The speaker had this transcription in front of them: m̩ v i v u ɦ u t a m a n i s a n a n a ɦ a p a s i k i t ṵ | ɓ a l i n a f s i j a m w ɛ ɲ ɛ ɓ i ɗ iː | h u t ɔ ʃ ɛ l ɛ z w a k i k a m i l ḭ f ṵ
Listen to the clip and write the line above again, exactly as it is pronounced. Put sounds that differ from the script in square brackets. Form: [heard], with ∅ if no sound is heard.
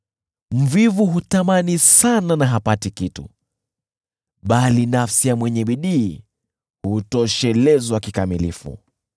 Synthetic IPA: m̩ v i v u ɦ u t a m a n i s a n a n a ɦ a p a [t] i k i t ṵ | ɓ a l i n a f s i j a m w ɛ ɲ ɛ ɓ i ɗ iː | h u t ɔ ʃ ɛ l ɛ z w a k i k a m i l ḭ f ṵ